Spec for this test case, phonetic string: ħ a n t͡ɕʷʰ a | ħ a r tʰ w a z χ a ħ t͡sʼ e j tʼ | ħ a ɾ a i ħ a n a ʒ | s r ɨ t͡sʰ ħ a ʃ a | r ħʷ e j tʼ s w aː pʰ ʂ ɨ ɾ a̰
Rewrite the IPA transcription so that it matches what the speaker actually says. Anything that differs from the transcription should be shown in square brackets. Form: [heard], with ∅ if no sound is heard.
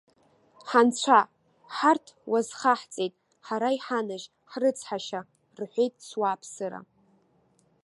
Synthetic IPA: ħ a n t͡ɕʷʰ a | ħ a r tʰ w a z χ a ħ t͡sʼ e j tʼ | ħ a ɾ a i ħ a n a ʒ | [ħ] r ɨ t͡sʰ ħ a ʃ a | r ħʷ e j tʼ s w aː pʰ [s] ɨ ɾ a̰